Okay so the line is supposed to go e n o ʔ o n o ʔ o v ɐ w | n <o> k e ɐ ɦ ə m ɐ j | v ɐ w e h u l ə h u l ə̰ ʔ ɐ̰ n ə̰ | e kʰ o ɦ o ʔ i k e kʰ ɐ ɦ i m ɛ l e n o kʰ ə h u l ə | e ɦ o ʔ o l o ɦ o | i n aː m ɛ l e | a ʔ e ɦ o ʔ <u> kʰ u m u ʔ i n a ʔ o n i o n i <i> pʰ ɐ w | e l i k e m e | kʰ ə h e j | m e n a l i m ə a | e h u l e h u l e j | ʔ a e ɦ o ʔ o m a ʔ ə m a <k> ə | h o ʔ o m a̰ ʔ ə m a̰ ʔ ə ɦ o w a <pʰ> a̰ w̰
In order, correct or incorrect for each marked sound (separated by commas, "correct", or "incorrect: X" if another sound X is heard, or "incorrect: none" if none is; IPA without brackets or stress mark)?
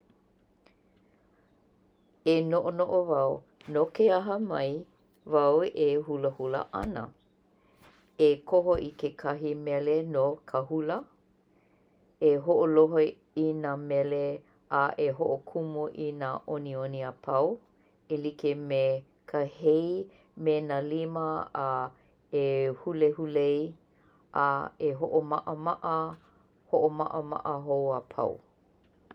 correct, incorrect: o, incorrect: a, incorrect: ʔ, correct